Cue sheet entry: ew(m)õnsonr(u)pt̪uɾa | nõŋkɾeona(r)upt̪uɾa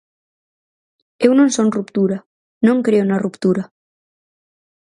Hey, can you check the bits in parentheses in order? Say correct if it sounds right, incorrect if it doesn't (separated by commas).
incorrect, correct, correct